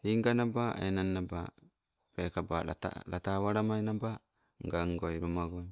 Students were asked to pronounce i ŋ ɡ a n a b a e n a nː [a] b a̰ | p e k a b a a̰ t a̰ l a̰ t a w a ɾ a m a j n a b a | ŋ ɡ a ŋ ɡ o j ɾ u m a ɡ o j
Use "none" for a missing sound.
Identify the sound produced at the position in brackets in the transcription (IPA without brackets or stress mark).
a